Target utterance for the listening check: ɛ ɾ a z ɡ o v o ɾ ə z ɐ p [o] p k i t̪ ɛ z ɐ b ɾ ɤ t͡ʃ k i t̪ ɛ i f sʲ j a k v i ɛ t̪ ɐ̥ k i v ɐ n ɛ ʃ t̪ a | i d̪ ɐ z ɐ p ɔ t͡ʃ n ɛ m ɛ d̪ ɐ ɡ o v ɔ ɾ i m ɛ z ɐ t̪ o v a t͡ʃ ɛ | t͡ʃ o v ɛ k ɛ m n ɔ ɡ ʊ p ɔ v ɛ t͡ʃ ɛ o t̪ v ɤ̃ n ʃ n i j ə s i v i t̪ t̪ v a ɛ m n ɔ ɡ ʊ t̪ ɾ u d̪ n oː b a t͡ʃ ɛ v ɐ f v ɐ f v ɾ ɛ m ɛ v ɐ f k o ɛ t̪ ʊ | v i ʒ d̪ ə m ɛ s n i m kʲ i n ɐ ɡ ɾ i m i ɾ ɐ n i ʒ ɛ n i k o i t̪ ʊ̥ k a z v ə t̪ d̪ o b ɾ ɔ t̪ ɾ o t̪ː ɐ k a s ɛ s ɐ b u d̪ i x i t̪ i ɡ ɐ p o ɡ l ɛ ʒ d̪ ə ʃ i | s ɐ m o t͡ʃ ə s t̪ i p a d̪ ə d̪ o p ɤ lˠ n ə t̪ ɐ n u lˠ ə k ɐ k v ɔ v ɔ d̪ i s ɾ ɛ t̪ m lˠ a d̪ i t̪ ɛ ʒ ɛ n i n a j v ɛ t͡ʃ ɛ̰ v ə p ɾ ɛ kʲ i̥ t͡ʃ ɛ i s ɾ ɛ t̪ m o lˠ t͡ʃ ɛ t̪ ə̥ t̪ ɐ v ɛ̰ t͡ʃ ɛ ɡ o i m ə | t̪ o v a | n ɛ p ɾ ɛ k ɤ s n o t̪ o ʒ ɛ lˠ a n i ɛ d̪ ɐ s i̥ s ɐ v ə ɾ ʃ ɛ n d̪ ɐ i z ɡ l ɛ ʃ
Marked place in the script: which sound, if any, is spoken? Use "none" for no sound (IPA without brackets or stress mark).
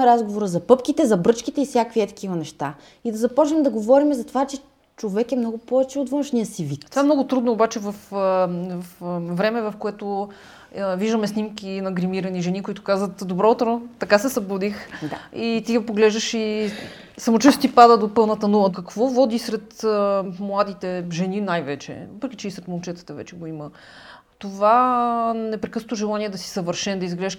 ɤ